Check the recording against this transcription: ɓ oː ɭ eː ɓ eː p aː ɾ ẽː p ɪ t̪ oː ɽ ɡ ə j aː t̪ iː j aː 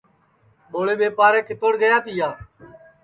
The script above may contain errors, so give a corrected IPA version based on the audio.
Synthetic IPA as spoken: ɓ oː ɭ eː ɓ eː p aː ɾ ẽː k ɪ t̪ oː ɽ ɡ ə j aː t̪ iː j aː